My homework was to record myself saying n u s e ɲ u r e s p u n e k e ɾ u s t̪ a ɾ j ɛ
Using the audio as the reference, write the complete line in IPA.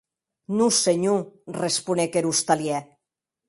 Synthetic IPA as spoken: n u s e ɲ u r e s p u n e k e ɾ u s t̪ a l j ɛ